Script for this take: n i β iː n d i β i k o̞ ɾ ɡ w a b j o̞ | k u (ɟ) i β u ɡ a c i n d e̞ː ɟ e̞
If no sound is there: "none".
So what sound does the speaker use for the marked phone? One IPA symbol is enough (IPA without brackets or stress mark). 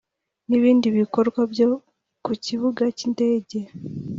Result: c